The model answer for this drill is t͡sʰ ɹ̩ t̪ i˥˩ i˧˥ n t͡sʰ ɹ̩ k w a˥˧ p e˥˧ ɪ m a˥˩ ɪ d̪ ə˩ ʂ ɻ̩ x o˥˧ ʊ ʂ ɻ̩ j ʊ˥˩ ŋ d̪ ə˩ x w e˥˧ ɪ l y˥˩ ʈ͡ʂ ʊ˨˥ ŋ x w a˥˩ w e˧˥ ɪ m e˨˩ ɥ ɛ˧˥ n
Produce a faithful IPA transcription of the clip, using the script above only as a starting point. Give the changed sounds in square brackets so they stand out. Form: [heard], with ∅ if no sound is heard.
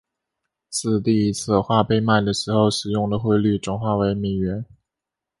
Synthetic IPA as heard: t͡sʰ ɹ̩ t̪ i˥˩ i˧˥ [∅] t͡sʰ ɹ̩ [x] w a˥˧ p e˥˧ ɪ m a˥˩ ɪ d̪ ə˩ ʂ ɻ̩ x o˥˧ ʊ ʂ ɻ̩ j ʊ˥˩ ŋ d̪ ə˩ x w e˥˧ ɪ l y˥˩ ʈ͡ʂ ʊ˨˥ ŋ x w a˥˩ w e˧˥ ɪ m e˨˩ ɥ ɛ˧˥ n

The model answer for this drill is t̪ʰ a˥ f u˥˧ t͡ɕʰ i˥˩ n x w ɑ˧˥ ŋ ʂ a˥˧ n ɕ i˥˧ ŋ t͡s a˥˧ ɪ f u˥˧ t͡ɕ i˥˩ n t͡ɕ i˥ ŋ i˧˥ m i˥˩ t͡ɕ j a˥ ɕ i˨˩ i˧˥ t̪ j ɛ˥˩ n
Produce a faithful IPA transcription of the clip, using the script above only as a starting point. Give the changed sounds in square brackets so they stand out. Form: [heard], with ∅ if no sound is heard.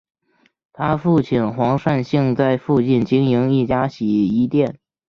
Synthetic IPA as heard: t̪ʰ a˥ f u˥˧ t͡ɕʰ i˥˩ n x w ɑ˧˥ ŋ ʂ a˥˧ n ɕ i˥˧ ŋ t͡s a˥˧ ɪ f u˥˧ t͡ɕ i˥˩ n t͡ɕ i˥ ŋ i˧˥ [ŋ] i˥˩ t͡ɕ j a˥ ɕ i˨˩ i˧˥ t̪ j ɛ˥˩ n

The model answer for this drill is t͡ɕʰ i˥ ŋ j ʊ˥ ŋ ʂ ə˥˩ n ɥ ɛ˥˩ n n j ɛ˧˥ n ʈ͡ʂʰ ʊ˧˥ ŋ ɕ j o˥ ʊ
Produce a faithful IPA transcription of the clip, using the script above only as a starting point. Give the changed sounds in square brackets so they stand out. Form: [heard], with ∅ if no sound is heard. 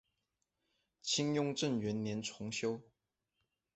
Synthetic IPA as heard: t͡ɕʰ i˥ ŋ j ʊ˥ ŋ [ʈ͡ʂ] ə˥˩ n ɥ [ɛ˧˥] n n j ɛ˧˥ n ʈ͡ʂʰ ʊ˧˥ ŋ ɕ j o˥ ʊ

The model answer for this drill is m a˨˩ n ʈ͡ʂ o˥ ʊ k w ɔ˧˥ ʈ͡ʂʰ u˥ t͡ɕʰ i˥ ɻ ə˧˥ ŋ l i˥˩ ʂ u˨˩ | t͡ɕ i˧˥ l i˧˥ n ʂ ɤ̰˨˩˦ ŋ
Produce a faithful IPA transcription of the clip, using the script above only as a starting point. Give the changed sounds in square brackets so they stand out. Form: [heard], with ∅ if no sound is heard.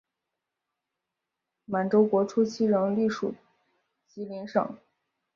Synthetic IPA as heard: m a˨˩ n ʈ͡ʂ o˥ ʊ k w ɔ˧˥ ʈ͡ʂʰ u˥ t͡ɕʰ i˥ ɻ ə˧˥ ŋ l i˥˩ ʂ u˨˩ | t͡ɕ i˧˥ l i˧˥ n ʂ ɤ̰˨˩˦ ŋ

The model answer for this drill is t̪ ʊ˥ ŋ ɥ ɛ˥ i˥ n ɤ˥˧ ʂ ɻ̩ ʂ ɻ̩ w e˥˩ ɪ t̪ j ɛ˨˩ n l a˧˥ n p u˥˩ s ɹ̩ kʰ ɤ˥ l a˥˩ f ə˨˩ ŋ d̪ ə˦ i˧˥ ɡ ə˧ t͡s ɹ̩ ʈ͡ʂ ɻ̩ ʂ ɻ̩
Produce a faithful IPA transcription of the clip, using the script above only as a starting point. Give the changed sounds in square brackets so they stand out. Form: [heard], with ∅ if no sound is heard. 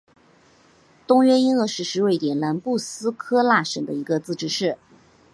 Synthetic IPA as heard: t̪ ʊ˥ ŋ ɥ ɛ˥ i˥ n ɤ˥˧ ʂ ɻ̩ ʂ ɻ̩ w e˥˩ ɪ t̪ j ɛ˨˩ n l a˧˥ n p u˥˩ s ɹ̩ kʰ ɤ˥ l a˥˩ [ʂ] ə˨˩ ŋ d̪ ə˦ i˧˥ ɡ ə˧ t͡s ɹ̩ ʈ͡ʂ ɻ̩ ʂ ɻ̩

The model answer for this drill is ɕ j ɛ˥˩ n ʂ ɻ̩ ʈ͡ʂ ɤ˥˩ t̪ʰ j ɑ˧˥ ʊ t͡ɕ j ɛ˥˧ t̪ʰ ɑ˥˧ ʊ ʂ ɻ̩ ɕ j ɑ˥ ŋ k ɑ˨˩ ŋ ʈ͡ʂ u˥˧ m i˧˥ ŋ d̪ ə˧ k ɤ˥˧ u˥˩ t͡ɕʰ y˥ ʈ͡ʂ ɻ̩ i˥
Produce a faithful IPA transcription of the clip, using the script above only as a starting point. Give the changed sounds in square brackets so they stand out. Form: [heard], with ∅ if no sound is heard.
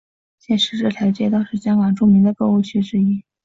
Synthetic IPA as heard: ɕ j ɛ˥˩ n ʂ ɻ̩ ʈ͡ʂ ɤ˥˩ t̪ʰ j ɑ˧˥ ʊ t͡ɕ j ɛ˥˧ [t̪] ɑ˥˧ ʊ ʂ ɻ̩ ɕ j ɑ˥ ŋ k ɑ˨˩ ŋ ʈ͡ʂ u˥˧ m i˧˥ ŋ d̪ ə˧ k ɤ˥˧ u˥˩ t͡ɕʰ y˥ ʈ͡ʂ ɻ̩ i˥

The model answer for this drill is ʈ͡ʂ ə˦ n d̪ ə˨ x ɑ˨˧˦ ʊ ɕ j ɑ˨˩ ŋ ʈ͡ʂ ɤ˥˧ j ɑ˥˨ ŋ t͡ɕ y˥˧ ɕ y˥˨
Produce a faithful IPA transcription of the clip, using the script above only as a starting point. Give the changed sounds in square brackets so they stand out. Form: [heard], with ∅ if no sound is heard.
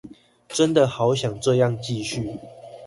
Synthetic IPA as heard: ʈ͡ʂ ə˦ n d̪ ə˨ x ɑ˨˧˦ ʊ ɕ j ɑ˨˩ ŋ ʈ͡ʂ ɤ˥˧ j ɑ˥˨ ŋ t͡ɕ [i˥˧] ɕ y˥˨

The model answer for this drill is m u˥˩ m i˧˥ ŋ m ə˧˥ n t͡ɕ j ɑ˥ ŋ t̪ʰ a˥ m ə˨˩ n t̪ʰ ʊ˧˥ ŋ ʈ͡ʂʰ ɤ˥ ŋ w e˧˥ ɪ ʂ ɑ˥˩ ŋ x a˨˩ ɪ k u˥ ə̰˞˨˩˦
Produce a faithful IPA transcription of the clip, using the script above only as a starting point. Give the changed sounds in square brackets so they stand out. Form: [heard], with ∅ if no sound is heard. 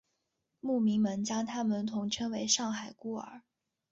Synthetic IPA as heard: m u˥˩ m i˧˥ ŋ m ə˧˥ n t͡ɕ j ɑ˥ ŋ t̪ʰ a˥ m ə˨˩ n t̪ʰ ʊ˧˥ ŋ ʈ͡ʂʰ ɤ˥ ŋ w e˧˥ ɪ ʂ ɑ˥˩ ŋ x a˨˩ ɪ k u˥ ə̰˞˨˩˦

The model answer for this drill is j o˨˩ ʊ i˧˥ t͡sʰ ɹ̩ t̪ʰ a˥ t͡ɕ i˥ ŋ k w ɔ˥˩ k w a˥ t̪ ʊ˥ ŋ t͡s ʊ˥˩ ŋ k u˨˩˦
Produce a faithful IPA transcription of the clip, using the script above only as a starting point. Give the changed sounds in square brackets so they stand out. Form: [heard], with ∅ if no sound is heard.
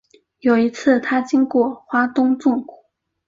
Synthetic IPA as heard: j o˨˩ ʊ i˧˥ t͡sʰ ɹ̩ t̪ʰ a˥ t͡ɕ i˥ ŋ k w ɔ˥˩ [x] w a˥ t̪ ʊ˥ ŋ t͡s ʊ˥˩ ŋ k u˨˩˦

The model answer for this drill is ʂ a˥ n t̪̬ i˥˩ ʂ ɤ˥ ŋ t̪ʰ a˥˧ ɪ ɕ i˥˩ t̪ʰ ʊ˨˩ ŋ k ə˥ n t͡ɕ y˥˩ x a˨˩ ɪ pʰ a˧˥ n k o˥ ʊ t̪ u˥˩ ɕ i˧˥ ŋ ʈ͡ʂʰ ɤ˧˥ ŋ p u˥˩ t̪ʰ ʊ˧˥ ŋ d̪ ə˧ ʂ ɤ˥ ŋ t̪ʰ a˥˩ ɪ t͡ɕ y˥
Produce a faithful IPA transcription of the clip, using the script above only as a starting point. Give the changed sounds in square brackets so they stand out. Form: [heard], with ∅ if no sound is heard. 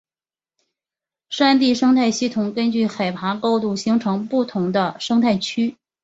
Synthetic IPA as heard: ʂ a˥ n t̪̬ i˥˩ ʂ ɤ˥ ŋ t̪ʰ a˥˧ ɪ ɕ i˥˩ t̪ʰ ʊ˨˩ ŋ k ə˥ n t͡ɕ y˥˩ x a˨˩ ɪ pʰ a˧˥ [∅] k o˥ ʊ t̪ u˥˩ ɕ i˧˥ ŋ ʈ͡ʂʰ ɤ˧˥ ŋ p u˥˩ t̪ʰ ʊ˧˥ ŋ d̪ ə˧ ʂ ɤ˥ ŋ t̪ʰ a˥˩ ɪ [t͡ɕʰ] y˥

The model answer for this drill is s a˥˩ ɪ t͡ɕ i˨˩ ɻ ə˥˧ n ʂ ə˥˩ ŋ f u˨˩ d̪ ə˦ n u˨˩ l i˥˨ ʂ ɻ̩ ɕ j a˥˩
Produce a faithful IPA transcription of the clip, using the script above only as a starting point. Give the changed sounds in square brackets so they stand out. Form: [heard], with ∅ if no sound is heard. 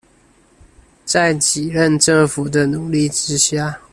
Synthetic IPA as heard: [t͡s] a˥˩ ɪ t͡ɕ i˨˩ ɻ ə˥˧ n [ʈ͡ʂ] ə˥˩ ŋ f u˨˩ d̪ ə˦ n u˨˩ l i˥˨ [ʈ͡ʂ] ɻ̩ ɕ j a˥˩

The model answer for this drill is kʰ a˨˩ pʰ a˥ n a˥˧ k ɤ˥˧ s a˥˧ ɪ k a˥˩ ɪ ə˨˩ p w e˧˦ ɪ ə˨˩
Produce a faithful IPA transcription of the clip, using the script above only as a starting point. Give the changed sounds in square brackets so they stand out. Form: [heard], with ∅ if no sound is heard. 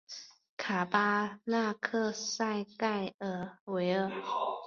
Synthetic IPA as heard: kʰ a˨˩ [p] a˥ n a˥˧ [kʰ] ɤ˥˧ s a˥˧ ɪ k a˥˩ ɪ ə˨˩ [∅] w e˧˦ ɪ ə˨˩

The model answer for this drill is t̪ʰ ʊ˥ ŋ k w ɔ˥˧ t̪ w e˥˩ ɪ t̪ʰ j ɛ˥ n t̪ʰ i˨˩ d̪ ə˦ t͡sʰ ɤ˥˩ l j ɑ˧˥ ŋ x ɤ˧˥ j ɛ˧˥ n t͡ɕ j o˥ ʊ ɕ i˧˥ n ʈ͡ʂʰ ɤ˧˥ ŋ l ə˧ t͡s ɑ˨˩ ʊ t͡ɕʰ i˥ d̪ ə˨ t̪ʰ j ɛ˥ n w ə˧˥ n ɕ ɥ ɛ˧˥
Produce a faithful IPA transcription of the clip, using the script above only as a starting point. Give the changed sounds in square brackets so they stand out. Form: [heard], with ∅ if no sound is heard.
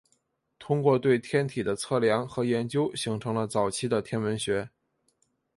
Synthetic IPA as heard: t̪ʰ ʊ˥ ŋ k w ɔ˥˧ t̪ w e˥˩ ɪ t̪ʰ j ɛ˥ n t̪ʰ i˨˩ d̪ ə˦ t͡sʰ ɤ˥˩ l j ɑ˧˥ ŋ x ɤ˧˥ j ɛ˧˥ n t͡ɕ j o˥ ʊ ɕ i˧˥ [ŋ] ʈ͡ʂʰ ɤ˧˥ ŋ l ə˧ t͡s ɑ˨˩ ʊ t͡ɕʰ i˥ d̪ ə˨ t̪ʰ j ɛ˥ n w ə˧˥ n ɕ ɥ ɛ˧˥

